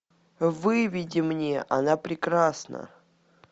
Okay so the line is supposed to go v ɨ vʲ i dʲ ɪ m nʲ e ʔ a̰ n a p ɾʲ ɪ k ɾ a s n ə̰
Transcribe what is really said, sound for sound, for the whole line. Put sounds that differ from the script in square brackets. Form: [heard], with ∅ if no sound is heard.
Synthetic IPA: v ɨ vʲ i dʲ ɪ m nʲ e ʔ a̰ n a p ɾʲ ɪ k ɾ a s n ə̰

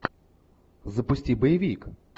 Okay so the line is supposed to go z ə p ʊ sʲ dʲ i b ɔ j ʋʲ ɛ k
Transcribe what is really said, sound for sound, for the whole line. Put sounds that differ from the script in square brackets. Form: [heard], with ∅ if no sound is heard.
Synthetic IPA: z [ɐ] p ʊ sʲ [tʲ] i b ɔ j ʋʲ [i] k

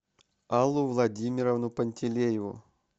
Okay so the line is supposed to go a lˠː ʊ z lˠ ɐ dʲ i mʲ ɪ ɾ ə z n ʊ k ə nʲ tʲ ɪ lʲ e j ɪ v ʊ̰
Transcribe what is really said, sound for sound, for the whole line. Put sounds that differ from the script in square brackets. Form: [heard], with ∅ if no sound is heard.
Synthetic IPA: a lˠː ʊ [v] lˠ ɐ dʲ i mʲ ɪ ɾ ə [v] n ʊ [p] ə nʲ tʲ ɪ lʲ e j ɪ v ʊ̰

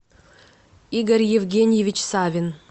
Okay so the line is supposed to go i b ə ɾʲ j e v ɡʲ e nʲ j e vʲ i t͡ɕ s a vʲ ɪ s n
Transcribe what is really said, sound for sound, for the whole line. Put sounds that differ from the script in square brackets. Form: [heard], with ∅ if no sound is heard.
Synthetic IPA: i [ɡ] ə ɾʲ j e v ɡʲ e nʲ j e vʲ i t͡ɕ s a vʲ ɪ [∅] n

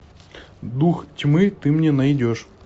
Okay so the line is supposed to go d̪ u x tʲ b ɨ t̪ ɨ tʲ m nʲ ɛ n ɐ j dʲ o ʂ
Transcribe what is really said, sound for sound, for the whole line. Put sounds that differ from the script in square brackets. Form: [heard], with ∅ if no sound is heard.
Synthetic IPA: d̪ u x tʲ [m] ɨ t̪ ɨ [∅] m nʲ ɛ n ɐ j dʲ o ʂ

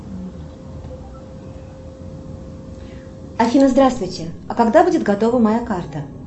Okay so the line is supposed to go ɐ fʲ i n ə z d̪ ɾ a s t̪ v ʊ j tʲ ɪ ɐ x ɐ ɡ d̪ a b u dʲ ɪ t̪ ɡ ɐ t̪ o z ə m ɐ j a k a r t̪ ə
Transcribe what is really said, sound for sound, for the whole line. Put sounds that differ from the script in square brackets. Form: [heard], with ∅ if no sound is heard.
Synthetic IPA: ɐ fʲ i n ə z d̪ ɾ a s t̪ v ʊ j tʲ ɪ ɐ [k] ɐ ɡ d̪ a b u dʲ ɪ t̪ ɡ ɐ t̪ o [v] ə m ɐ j a k a r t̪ ə

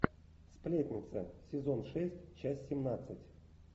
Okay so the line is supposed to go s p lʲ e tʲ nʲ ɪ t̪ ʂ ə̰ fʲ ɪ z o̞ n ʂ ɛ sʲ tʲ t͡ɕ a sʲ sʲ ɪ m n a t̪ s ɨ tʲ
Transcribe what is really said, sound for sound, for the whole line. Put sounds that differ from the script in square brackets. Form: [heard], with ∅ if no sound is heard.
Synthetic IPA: s p lʲ e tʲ nʲ ɪ t̪ [s] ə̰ [sʲ] ɪ z o̞ n ʂ ɛ sʲ tʲ t͡ɕ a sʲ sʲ ɪ m n a t̪ s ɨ tʲ

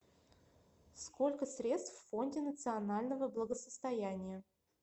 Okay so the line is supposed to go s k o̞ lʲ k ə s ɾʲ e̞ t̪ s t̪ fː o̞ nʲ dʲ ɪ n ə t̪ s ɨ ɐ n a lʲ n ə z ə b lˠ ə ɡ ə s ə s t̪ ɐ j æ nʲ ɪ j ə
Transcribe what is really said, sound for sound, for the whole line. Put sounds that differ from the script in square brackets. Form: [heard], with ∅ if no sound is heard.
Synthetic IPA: s k o̞ lʲ k ə s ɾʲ e̞ t̪ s t̪ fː o̞ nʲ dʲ ɪ n ə t̪ s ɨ ɐ n a lʲ n ə [v] ə b lˠ ə ɡ ə s ə s t̪ ɐ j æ nʲ ɪ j ə

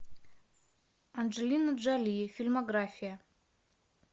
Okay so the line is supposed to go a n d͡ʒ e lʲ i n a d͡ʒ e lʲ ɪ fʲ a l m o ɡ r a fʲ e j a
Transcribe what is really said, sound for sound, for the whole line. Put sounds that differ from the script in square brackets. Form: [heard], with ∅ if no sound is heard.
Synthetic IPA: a n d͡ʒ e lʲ i n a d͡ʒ [a] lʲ [i] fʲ [i] l m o ɡ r a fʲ [i] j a

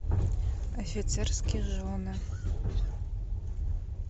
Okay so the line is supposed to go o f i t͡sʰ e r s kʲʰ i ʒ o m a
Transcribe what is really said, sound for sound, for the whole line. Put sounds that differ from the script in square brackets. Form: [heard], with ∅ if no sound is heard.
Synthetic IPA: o f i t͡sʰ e r s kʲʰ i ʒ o [n] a

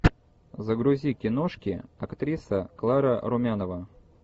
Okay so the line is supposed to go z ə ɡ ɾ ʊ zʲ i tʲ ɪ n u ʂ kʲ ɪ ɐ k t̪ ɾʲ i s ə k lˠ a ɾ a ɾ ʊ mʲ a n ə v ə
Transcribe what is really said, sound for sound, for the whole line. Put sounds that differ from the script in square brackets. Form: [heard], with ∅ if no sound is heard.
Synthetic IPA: z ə ɡ ɾ ʊ zʲ i [kʲ] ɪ n [o] ʂ kʲ ɪ ɐ k t̪ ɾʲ i s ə k lˠ a ɾ [ə] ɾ ʊ mʲ a n ə v ə

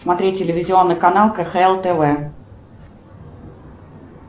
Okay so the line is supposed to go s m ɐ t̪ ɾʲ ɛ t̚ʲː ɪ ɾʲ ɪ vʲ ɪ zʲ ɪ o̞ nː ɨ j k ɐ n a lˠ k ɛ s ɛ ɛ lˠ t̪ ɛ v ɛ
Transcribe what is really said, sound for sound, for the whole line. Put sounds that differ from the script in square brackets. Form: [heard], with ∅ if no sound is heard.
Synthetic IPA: s m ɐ t̪ ɾʲ [e] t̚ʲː ɪ [lʲ] ɪ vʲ ɪ zʲ ɪ o̞ nː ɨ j k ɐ n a lˠ k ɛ [x] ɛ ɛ lˠ t̪ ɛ v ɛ

